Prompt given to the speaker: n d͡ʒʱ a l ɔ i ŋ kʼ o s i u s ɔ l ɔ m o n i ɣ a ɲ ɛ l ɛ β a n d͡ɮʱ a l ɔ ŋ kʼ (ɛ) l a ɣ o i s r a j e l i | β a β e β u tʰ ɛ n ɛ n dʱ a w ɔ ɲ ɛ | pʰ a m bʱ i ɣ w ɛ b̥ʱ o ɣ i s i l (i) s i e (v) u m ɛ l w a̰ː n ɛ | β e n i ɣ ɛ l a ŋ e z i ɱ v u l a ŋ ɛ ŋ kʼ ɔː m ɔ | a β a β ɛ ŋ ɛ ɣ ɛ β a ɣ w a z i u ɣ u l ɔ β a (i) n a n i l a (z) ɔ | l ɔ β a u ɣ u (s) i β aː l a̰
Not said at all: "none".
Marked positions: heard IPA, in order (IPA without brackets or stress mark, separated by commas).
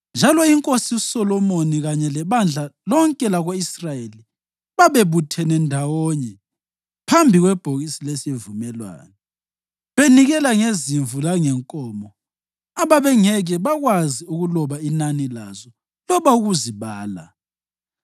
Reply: ɛ, e, v, i, z, z